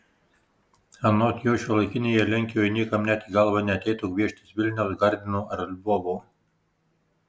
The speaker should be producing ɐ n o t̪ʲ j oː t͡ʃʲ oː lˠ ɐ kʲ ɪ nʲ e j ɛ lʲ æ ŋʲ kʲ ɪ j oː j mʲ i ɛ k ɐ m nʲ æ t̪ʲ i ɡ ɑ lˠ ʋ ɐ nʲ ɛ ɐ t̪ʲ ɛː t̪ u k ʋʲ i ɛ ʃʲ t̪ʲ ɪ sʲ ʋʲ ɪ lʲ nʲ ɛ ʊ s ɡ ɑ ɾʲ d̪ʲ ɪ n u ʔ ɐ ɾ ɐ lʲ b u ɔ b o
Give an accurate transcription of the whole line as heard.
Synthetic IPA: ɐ n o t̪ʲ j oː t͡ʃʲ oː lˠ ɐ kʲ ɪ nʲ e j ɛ lʲ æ ŋʲ kʲ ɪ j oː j nʲ i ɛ k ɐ m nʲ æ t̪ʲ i ɡ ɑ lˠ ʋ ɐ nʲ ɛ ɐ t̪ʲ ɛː t̪ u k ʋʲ i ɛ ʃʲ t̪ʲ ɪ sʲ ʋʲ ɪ lʲ nʲ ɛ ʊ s ɡ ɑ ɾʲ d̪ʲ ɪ n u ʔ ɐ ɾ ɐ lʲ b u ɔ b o